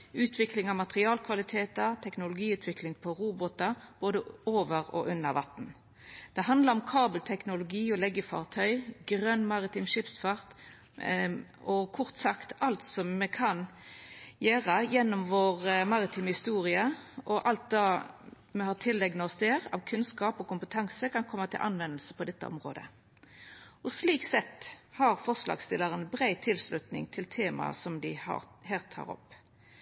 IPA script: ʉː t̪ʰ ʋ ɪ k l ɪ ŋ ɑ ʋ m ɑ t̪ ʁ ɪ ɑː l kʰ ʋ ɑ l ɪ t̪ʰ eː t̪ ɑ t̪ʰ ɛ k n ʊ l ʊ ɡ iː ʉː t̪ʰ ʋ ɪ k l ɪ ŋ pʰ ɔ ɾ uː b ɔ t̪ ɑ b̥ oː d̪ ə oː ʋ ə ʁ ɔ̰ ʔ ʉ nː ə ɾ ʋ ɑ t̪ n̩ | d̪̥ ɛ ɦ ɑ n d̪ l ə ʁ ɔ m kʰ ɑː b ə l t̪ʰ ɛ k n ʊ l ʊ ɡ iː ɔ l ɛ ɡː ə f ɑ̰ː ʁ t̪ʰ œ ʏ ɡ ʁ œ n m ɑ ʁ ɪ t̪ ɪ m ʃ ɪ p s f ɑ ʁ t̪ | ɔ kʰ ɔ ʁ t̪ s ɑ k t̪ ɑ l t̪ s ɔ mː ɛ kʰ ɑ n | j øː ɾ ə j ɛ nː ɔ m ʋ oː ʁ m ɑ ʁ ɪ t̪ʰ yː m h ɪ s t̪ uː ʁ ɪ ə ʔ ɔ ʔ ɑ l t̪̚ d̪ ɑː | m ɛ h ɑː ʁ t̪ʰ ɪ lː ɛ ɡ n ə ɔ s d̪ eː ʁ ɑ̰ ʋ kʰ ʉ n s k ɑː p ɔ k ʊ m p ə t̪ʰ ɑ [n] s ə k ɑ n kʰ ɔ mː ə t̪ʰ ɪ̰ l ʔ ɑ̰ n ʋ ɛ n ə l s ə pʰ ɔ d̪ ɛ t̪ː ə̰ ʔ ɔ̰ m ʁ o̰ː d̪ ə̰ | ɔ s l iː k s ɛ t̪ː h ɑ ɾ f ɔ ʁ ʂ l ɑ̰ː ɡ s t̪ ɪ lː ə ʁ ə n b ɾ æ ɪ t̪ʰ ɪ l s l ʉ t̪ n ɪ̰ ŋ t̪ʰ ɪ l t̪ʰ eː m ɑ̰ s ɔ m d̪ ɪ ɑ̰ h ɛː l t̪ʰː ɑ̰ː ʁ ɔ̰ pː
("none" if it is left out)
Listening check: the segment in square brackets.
ŋ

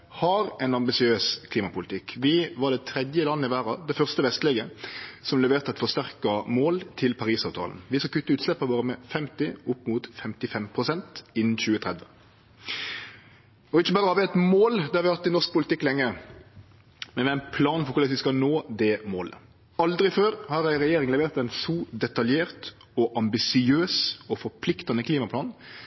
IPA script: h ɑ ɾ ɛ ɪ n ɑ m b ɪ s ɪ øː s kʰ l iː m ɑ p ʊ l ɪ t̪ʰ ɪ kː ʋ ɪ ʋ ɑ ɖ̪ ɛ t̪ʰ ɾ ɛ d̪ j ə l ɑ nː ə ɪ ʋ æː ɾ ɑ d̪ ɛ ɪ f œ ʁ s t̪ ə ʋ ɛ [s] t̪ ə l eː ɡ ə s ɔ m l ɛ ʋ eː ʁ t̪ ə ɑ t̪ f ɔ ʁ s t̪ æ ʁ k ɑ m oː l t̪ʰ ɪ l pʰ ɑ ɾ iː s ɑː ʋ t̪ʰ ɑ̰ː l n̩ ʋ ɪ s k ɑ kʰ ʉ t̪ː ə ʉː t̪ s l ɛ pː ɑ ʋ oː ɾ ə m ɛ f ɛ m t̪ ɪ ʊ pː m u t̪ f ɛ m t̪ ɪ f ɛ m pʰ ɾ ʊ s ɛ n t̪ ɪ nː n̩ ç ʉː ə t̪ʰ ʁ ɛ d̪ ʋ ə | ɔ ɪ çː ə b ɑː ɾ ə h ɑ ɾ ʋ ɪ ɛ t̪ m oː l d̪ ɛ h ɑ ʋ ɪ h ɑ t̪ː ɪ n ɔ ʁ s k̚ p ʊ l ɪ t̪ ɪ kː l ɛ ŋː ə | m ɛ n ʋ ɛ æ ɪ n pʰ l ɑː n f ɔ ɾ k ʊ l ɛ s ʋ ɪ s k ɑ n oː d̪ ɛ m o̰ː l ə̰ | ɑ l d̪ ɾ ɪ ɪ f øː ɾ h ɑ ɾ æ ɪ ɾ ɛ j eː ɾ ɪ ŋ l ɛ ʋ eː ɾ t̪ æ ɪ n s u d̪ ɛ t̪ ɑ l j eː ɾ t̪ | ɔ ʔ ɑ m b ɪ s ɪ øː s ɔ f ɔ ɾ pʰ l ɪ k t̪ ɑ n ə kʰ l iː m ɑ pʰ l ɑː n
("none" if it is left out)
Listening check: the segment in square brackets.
s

